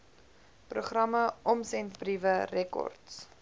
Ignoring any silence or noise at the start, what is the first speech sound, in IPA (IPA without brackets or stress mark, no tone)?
p